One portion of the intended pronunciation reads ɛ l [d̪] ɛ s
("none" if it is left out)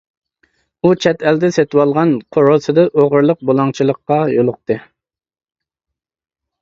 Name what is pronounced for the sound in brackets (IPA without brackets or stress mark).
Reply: d̪